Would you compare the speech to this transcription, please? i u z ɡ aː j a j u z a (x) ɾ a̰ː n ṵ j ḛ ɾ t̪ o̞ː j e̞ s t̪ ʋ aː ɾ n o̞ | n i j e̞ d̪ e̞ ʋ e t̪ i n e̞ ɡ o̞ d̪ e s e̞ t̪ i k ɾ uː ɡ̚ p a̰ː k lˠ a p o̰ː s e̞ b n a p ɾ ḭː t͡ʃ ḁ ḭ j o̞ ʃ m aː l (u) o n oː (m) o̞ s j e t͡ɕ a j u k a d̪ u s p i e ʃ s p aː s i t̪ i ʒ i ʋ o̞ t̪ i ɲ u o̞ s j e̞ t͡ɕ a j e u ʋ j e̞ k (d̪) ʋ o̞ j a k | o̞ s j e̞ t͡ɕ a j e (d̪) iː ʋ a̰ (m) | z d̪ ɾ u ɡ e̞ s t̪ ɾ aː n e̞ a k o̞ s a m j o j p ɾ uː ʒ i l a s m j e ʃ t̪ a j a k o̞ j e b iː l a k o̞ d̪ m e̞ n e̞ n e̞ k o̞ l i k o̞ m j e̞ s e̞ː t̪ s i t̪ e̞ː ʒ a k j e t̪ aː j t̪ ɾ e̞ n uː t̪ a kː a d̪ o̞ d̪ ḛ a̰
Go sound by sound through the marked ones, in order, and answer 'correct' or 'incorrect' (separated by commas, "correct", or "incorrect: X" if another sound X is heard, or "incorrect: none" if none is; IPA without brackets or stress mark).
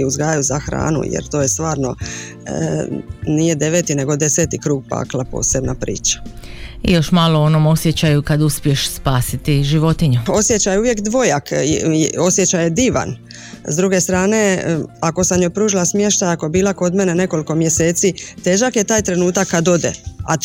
correct, incorrect: o, correct, correct, correct, incorrect: n